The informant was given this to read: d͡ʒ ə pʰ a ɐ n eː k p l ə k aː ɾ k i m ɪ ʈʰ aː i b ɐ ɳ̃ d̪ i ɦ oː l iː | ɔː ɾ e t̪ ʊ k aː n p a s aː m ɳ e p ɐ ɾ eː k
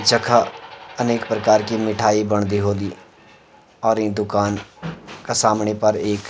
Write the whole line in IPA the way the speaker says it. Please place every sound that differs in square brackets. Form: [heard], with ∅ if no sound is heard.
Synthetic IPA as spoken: d͡ʒ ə [kʰ] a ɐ n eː k p [ɾ] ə k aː ɾ k i m ɪ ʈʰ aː i b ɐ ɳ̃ d̪ i ɦ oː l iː | ɔː ɾ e [d̪] ʊ k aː n [k] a s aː m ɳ e p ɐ ɾ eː k